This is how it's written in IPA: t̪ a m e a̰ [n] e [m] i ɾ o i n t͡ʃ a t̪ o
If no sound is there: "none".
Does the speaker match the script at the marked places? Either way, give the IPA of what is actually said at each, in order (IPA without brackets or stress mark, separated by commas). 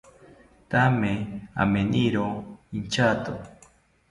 m, n